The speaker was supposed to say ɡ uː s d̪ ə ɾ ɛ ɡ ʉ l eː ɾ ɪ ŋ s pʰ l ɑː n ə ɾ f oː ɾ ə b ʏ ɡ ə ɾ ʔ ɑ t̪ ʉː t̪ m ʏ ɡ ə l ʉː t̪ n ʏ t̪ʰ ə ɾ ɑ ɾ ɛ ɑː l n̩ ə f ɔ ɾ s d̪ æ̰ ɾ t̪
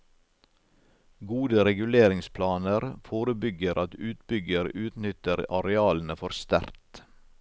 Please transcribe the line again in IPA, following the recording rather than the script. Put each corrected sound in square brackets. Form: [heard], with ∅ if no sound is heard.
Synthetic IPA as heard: ɡ uː [∅] d̪ ə ɾ ɛ ɡ ʉ l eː ɾ ɪ ŋ s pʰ l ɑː n ə ɾ f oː ɾ ə b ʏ ɡ ə ɾ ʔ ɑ t̪ ʉː t̪ [b] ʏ ɡ ə [ɾ] ʉː t̪ n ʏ [t̪] ə ɾ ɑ ɾ ɛ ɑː l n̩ ə f ɔ ɾ s [t̪] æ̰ ɾ t̪